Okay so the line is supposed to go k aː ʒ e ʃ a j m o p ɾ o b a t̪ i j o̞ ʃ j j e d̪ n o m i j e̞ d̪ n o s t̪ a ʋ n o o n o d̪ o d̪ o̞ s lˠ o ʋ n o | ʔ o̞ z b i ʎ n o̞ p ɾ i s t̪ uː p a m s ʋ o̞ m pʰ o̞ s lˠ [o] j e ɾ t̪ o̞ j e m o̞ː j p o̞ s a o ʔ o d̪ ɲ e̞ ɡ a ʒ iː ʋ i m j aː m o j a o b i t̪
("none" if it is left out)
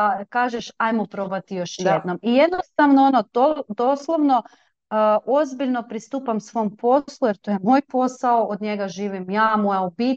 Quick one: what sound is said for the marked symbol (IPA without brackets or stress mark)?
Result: u